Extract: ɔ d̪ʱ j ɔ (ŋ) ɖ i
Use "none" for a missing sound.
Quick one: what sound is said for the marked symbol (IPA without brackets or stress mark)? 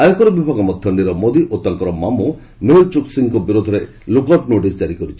ɳ